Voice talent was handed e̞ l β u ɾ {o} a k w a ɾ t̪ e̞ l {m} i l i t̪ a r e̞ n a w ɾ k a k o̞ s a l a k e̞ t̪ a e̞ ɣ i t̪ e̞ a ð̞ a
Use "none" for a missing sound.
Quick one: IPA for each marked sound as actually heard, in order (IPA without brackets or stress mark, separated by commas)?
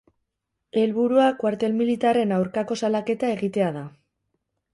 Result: u, m